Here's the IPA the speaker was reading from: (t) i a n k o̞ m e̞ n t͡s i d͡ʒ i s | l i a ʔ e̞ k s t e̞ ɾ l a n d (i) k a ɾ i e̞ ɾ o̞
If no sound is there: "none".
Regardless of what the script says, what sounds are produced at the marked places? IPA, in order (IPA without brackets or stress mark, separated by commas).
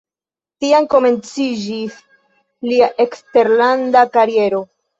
t, a